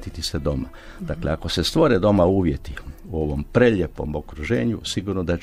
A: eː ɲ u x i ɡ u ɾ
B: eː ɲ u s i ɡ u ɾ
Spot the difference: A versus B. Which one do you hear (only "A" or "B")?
B